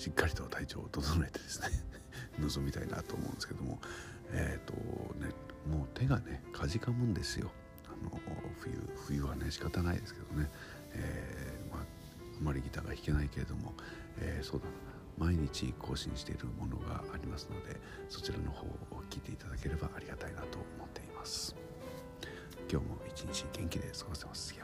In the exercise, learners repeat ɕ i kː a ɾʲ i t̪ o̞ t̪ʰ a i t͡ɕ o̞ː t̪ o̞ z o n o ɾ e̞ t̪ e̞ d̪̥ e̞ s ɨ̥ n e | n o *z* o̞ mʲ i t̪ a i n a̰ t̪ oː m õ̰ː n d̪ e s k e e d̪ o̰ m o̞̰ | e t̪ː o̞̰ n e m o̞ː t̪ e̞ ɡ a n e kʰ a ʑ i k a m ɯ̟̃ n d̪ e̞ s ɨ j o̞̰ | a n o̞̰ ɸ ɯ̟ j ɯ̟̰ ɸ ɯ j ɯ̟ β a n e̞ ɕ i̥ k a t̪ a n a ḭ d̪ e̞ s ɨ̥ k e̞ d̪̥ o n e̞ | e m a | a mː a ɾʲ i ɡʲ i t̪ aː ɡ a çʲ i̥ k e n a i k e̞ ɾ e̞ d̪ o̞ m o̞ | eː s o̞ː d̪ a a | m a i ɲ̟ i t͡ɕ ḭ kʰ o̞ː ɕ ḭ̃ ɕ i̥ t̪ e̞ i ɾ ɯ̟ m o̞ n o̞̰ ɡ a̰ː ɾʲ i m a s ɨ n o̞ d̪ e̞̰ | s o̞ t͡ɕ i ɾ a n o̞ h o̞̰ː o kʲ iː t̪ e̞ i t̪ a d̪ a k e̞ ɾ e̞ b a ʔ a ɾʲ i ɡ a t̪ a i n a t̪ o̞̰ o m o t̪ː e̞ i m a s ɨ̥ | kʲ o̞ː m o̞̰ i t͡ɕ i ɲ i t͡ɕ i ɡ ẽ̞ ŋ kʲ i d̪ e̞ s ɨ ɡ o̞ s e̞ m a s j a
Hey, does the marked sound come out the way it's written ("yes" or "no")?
yes